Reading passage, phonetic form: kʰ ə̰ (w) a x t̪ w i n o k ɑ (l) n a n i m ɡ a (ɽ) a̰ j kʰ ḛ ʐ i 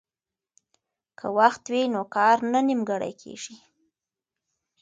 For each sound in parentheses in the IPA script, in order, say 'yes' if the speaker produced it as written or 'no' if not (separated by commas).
yes, no, yes